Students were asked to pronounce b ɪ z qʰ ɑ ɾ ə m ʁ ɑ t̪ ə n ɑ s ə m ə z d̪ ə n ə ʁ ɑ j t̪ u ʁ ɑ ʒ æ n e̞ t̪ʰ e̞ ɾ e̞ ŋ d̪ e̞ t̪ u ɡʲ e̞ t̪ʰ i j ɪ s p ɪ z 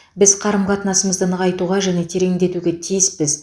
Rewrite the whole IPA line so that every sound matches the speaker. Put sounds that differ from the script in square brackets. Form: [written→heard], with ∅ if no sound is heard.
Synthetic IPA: b ɪ z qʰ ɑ ɾ ə m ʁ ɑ t̪ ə n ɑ s ə m ə z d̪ ə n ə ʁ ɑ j t̪ u ʁ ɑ ʒ æ n e̞ t̪ʰ e̞ ɾ e̞ ŋ d̪ e̞ t̪ u ɡʲ e̞ t̪ʰ i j ɪ s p ɪ z